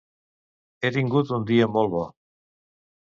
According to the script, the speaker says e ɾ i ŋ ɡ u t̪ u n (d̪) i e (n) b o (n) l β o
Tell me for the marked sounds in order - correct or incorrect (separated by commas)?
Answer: correct, incorrect, incorrect